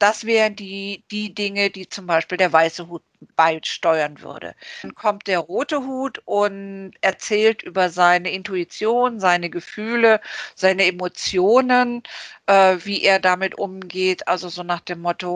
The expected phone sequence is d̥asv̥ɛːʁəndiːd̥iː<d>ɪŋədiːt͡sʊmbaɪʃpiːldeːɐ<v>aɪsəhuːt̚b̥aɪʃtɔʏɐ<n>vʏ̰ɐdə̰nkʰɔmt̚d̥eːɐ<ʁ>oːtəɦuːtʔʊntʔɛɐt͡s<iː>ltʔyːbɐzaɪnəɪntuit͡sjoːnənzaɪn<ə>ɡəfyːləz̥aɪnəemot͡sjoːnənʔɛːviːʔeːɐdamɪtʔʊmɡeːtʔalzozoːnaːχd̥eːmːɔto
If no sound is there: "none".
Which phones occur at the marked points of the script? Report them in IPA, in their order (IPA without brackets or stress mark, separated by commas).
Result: d, v, n, ʁ, ɛː, ə